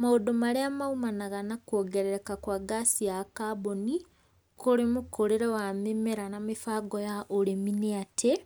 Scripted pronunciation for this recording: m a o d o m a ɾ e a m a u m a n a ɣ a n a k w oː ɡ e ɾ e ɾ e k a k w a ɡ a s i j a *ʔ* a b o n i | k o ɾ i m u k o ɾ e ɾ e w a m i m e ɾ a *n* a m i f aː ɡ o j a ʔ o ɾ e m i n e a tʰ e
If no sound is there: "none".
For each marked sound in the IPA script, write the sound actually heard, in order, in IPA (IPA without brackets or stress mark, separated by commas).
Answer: k, n